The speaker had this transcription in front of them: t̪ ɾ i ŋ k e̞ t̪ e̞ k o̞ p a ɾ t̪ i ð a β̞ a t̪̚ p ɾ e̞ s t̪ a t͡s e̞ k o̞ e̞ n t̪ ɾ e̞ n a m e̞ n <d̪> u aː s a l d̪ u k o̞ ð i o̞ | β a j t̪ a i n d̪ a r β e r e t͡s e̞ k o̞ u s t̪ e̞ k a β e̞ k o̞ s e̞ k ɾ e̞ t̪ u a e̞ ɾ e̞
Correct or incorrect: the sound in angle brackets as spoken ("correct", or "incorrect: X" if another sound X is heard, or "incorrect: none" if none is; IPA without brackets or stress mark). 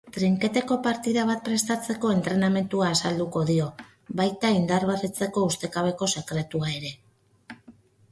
incorrect: t̪